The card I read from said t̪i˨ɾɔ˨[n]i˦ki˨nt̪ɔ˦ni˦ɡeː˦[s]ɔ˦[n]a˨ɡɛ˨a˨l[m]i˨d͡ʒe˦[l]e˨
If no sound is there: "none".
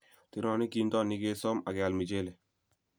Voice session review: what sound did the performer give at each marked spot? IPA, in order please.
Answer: n, s, m, m, l

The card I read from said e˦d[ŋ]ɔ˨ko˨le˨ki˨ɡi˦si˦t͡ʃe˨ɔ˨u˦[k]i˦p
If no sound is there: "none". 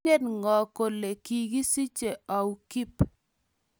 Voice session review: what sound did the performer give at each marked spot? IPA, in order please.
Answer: ŋ, k

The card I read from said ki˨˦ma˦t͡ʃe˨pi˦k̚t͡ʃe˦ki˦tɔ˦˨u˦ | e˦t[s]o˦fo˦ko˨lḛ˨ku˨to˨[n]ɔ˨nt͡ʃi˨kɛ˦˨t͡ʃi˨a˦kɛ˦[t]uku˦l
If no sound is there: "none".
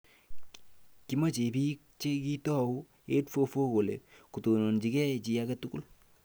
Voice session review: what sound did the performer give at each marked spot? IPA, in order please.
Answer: f, n, t

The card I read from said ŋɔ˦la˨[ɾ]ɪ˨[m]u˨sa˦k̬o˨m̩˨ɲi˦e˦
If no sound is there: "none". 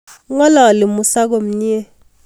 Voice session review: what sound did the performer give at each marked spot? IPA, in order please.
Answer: l, m

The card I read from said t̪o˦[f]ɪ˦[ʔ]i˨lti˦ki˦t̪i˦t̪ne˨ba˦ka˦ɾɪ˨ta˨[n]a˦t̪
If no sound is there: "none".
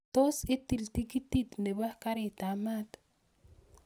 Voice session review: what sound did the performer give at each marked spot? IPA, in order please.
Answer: s, t, m

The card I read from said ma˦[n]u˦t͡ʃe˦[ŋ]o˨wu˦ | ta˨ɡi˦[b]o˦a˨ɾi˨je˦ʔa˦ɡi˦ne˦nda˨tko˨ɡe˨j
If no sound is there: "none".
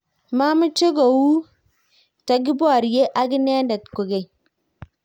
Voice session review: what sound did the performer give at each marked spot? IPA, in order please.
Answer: m, ɡ, b

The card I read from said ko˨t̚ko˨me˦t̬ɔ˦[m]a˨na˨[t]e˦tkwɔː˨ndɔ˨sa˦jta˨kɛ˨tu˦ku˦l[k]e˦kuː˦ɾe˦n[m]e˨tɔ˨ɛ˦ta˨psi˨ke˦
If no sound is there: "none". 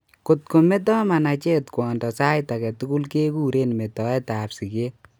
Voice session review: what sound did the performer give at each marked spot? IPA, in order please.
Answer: m, t͡ʃ, k, m

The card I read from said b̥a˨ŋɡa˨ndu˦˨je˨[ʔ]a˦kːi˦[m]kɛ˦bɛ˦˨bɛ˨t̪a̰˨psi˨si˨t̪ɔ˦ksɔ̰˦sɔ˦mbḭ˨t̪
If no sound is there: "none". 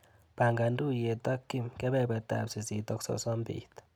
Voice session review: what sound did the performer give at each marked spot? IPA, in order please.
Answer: t, m

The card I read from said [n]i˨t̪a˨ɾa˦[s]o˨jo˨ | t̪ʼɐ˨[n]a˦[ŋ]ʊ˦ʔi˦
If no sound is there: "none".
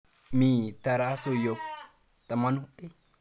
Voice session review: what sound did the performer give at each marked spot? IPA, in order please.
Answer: m, s, m, n

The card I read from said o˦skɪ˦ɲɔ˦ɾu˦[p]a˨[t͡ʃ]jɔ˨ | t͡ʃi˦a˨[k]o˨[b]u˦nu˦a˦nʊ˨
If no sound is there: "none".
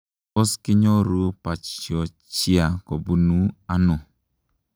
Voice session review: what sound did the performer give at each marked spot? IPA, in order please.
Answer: p, t͡ʃ, k, b

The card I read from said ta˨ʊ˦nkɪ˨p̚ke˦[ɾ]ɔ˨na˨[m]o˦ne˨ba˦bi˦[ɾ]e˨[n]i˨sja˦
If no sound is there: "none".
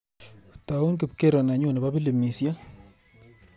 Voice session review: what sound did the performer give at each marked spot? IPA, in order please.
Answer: ɾ, ɲ, l, m

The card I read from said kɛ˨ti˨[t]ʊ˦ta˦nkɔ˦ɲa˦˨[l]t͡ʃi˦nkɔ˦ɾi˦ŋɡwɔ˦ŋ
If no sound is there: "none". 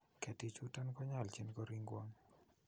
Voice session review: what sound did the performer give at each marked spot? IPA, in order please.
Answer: t͡ʃ, l

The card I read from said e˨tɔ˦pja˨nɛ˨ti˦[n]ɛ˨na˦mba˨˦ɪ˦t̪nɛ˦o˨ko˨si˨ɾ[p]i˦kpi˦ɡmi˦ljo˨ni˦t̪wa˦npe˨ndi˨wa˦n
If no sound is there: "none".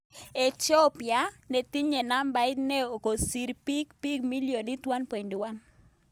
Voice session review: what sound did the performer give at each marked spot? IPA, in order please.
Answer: ɲ, p

